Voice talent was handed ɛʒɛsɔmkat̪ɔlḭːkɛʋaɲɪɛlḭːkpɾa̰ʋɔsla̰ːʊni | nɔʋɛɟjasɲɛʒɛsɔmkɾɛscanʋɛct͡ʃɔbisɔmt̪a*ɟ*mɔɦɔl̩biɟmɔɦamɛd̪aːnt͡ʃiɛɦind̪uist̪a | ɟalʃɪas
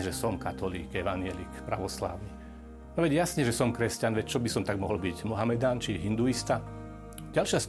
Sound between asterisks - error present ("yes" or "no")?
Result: yes